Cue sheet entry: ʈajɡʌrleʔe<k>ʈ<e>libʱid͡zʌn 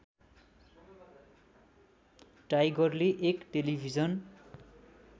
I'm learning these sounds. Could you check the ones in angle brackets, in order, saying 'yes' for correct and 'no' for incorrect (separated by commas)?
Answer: yes, yes